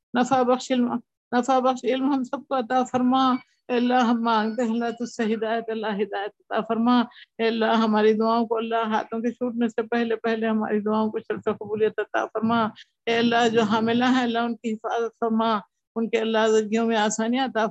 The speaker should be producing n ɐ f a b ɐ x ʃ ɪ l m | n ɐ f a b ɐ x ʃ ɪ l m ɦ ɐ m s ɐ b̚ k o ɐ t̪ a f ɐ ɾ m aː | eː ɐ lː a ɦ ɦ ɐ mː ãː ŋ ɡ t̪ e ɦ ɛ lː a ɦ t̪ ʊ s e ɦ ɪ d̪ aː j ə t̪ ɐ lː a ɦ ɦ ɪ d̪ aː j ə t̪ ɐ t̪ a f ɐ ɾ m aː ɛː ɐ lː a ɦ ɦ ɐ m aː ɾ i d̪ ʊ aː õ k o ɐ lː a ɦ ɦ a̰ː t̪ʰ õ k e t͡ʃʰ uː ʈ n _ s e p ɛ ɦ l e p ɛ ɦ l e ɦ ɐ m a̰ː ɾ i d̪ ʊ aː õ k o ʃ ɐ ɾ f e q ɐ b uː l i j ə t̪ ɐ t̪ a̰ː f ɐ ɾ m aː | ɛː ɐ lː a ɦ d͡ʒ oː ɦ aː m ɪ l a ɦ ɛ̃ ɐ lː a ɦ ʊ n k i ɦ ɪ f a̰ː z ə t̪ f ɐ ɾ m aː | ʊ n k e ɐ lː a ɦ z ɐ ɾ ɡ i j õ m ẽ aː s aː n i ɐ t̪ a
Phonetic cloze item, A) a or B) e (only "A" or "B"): B